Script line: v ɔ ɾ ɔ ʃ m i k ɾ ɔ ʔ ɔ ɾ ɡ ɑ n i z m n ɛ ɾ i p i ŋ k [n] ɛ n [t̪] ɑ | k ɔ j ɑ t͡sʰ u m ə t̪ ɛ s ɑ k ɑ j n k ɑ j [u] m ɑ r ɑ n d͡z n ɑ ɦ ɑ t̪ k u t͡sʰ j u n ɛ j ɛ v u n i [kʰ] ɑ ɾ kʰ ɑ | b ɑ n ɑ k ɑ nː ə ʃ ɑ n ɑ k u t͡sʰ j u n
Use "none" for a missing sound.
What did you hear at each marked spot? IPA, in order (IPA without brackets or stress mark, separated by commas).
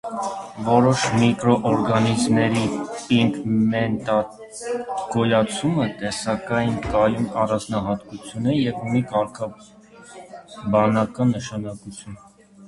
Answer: m, t̪, u, k